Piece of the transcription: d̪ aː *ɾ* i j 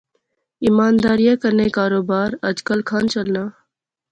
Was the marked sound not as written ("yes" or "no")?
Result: no